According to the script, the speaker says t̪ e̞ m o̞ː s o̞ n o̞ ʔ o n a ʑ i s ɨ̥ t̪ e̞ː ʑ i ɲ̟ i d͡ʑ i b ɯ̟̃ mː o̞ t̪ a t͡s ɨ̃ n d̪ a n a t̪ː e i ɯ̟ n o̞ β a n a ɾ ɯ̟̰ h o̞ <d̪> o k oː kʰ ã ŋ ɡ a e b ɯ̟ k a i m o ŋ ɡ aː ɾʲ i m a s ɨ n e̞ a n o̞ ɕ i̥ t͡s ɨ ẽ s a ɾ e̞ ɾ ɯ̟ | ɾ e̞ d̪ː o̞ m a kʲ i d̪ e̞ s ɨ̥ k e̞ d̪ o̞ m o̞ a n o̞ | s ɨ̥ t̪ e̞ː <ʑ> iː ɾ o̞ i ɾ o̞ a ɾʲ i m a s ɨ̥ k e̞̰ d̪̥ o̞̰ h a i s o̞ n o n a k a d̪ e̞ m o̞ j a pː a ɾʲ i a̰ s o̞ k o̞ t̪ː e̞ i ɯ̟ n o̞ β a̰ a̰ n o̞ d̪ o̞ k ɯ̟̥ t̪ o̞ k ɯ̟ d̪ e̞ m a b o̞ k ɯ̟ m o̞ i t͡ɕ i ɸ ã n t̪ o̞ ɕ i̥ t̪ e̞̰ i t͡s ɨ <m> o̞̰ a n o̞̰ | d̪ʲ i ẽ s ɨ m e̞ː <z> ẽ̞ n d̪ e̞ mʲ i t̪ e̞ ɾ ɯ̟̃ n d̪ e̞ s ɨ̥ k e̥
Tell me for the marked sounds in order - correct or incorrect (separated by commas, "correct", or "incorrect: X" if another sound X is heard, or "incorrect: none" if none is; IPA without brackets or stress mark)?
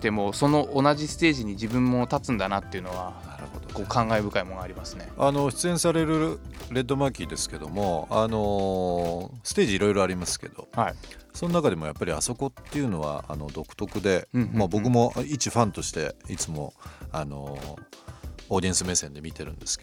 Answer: correct, correct, correct, incorrect: s